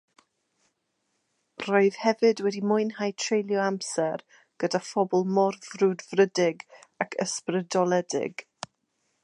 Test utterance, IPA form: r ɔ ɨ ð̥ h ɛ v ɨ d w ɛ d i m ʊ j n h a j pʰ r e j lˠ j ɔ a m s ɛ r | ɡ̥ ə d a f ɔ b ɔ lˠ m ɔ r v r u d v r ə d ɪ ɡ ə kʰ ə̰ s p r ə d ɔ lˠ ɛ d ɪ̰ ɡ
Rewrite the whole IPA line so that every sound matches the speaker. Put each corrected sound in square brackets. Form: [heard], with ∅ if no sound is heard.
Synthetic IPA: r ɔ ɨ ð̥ h ɛ v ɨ d w ɛ d i m ʊ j n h a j [tʰ] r e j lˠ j ɔ a m s ɛ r | ɡ̥ ə d a f ɔ b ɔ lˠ m ɔ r v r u d v r ə d ɪ ɡ [a] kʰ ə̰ s p r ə d ɔ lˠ ɛ d ɪ̰ ɡ